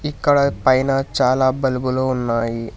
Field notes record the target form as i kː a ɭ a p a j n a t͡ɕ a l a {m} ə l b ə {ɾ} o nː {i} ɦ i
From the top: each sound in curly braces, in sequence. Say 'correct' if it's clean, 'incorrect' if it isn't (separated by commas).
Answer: incorrect, incorrect, incorrect